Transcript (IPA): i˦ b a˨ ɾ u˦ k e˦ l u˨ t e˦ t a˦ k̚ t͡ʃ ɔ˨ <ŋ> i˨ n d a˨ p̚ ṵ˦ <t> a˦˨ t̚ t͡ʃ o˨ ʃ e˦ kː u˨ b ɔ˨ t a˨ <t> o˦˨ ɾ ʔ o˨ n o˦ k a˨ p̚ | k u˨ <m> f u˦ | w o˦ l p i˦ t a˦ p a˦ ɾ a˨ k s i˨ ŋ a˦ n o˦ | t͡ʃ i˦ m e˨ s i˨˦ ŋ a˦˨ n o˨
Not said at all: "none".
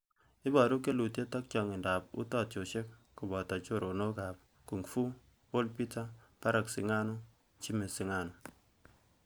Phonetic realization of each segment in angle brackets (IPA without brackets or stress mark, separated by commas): ŋ, t, t͡ʃ, ŋ